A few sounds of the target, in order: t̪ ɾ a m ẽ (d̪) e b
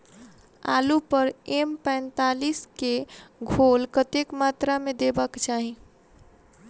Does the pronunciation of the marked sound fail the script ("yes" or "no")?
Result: no